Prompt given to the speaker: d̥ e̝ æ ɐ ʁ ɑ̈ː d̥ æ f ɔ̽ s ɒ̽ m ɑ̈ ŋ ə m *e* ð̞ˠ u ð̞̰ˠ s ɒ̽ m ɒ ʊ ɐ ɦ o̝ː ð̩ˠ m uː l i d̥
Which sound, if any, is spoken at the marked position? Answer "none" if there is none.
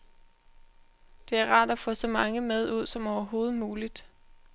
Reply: e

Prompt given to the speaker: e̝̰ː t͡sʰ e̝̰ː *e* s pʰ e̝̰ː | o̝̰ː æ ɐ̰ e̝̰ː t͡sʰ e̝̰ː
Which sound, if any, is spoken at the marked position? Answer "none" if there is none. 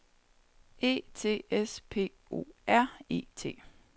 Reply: e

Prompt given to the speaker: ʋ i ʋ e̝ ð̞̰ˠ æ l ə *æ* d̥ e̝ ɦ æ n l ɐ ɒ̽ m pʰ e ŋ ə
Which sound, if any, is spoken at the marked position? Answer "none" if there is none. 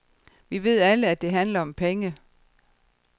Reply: æ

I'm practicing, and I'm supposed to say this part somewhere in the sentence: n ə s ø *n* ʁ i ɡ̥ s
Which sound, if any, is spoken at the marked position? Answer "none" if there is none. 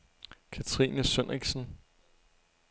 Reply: n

